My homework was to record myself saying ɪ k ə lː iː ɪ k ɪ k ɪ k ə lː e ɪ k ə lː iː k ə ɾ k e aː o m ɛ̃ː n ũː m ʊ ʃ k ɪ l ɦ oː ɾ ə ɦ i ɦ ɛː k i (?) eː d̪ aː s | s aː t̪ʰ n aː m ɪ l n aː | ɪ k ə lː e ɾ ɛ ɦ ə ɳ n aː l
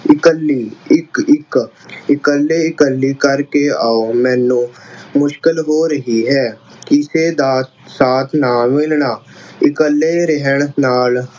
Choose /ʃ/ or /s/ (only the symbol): s